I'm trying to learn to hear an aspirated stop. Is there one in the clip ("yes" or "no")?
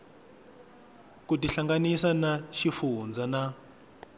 no